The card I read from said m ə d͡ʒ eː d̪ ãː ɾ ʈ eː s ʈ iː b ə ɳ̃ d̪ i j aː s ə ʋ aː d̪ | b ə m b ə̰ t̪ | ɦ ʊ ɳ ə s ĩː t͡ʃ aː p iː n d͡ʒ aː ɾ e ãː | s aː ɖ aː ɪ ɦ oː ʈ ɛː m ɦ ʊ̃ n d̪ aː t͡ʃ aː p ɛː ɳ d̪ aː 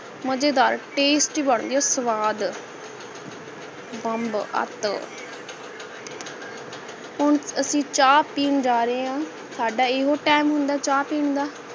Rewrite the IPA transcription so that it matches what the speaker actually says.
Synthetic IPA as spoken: m ə d͡ʒ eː d̪ aː ɾ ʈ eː s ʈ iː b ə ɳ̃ d̪ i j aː s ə ʋ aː d̪ | b ə m b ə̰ t̪ | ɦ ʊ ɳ ə s ĩː t͡ʃ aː p iː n d͡ʒ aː ɾ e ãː | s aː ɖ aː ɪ ɦ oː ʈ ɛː m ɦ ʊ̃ n d̪ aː t͡ʃ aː p iː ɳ d̪ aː